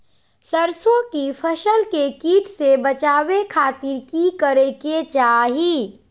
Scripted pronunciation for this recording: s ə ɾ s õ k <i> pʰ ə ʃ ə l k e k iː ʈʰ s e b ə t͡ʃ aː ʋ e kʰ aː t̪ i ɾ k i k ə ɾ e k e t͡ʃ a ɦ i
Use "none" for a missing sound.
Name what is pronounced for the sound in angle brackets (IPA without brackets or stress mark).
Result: i